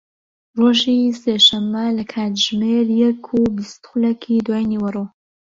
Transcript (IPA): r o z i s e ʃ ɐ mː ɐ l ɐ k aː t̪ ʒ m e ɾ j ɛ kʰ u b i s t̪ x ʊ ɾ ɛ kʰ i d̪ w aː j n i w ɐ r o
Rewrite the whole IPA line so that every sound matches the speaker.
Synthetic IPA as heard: r o ʒ i s e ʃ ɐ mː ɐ l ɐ kʰ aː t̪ ʒ m e ɾ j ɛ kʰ u b i s t̪ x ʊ l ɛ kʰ i d̪ w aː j n i w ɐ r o